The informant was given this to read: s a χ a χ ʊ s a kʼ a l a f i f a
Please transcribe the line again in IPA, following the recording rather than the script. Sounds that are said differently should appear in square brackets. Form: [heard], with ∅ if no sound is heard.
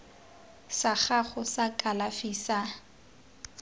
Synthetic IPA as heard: s a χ a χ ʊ s a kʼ a l a f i [s] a